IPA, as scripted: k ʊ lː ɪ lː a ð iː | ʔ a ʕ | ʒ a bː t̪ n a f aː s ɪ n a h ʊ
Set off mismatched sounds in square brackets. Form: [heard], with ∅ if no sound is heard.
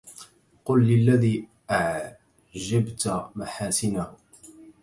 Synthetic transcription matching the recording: [q] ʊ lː ɪ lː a ð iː | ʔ a ʕ | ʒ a [b] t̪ [m] a [ħ] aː s ɪ n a h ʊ